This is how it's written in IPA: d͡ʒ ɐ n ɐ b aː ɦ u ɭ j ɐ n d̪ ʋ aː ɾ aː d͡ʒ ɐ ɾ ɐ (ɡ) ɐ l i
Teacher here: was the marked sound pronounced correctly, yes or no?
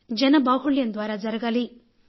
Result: yes